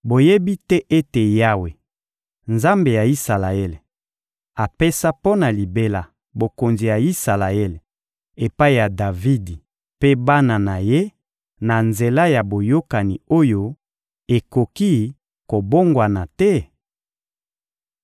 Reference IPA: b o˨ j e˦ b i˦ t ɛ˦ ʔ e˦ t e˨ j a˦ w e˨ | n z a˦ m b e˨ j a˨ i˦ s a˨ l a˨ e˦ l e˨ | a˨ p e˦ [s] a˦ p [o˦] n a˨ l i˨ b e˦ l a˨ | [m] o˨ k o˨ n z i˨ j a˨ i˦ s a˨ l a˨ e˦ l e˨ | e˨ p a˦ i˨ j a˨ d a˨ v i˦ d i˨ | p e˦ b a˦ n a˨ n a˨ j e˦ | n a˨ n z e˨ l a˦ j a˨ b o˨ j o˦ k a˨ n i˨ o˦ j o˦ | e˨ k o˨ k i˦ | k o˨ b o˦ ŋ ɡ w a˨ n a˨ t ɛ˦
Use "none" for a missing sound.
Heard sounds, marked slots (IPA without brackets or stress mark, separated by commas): s, o˦, b